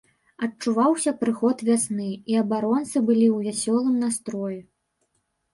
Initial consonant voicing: voiceless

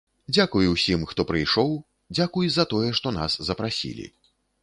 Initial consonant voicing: voiced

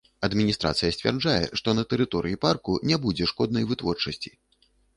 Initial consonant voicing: voiced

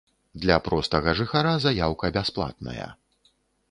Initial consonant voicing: voiced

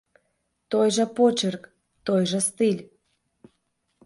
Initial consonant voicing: voiceless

